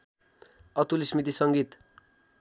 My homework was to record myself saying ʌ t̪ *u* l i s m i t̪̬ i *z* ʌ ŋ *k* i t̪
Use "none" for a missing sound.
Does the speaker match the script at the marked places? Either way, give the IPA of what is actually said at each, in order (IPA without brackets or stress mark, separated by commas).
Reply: u, s, ɡ